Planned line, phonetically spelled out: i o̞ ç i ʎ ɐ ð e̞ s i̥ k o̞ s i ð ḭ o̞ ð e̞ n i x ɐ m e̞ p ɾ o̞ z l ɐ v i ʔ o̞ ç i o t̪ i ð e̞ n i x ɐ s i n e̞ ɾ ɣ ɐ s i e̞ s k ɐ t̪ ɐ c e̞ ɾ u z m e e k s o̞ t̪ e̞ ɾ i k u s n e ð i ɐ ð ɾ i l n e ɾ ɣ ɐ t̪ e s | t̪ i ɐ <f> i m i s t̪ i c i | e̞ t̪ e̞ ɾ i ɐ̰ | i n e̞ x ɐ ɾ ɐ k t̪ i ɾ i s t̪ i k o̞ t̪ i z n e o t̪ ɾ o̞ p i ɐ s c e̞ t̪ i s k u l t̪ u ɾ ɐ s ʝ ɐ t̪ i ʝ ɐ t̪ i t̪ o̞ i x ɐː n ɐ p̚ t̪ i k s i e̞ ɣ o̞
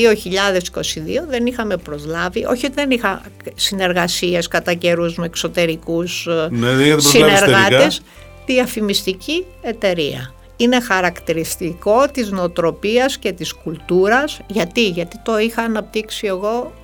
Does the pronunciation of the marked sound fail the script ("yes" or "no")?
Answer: no